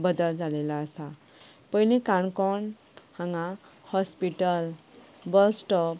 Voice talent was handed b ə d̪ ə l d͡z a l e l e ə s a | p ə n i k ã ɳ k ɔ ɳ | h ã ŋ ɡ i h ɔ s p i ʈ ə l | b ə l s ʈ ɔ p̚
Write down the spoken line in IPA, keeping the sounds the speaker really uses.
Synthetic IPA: b ə d̪ ə l d͡z a l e l a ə s a | p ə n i k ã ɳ k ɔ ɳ | h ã ŋ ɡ a h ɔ s p i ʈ ə l | b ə l s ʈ ɔ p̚